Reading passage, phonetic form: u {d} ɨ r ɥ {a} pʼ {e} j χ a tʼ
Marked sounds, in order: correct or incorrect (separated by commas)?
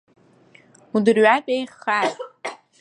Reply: correct, correct, correct